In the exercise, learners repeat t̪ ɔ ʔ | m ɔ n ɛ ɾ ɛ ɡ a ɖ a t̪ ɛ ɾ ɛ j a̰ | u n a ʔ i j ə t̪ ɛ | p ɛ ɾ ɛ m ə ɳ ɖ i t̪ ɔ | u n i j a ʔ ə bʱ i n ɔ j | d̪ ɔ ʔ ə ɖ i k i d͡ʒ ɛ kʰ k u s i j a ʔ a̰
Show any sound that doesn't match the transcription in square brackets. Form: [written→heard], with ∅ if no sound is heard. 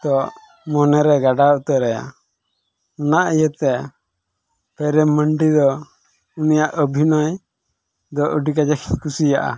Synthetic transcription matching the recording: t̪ ɔ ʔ | m ɔ n ɛ ɾ ɛ ɡ a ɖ a t̪ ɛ ɾ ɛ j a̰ | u n a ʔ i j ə t̪ ɛ | p ɛ ɾ ɛ m ə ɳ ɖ i [t̪→d̪] ɔ | u n i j a ʔ ə bʱ i n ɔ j | d̪ ɔ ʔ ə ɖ i k [i→a] d͡ʒ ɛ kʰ k u s i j a ʔ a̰